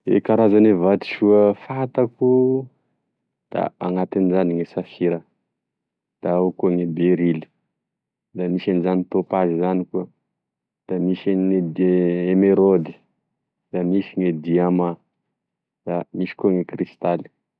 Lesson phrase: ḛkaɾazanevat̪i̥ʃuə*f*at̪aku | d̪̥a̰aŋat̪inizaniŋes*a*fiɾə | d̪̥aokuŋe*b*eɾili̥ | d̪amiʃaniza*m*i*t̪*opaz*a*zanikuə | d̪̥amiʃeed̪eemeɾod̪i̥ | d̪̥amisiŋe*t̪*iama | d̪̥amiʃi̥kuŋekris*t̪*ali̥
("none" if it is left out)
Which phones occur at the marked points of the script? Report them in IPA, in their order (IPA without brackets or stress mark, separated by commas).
f, a, b, n, t̪, i, d̪, t̪